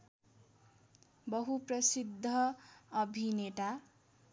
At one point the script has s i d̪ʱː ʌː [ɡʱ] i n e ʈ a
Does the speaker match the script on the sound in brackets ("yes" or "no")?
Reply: no